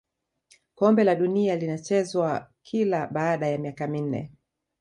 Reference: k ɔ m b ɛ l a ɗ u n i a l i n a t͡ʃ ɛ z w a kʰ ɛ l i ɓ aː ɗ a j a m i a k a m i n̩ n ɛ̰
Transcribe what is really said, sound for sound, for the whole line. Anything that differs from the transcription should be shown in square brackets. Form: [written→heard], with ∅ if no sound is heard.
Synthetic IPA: k ɔ m b ɛ l a ɗ u n i a l i n a t͡ʃ ɛ z w a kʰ [ɛ→i] l [i→a] ɓ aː ɗ a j a m i a k a m i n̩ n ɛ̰